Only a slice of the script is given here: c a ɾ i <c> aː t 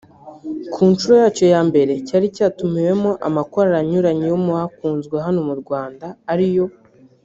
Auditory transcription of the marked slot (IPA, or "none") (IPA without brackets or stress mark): c